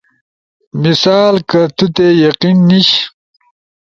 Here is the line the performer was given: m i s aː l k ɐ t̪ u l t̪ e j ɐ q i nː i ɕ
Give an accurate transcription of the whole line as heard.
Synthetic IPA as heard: m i s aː l k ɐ t̪ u t̪ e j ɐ q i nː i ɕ